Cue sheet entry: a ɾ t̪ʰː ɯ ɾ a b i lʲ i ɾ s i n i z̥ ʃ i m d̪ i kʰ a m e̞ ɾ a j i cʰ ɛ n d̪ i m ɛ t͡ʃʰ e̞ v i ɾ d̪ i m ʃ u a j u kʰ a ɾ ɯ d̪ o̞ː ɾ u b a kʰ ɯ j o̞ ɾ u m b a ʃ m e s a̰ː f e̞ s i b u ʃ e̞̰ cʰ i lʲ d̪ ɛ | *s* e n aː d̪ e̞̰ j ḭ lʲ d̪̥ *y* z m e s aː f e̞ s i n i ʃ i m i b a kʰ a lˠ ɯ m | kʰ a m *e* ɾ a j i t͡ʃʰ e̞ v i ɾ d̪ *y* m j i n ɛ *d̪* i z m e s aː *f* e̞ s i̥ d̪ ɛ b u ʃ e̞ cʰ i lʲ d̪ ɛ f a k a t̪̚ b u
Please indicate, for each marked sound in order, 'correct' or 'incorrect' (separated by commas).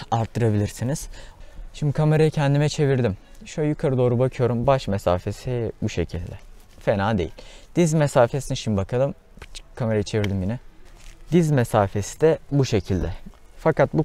incorrect, incorrect, correct, incorrect, correct, correct